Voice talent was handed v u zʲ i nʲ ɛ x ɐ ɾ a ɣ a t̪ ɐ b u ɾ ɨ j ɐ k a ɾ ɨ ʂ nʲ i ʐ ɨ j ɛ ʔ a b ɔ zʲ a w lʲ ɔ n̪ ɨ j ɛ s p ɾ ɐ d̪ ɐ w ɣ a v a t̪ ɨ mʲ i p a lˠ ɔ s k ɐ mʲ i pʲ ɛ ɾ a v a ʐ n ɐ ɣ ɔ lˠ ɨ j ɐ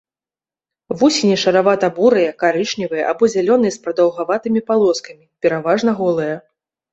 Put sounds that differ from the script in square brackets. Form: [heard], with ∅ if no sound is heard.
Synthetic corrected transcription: v u [sʲ] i nʲ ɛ [ʂ] ɐ ɾ a [v] a t̪ ɐ b u ɾ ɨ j ɐ k a ɾ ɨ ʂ nʲ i [v] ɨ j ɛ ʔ a b ɔ zʲ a [∅] lʲ ɔ n̪ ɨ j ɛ s p ɾ ɐ d̪ ɐ w ɣ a v a t̪ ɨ mʲ i p a lˠ ɔ s k ɐ mʲ i pʲ ɛ ɾ a v a ʐ n ɐ ɣ ɔ lˠ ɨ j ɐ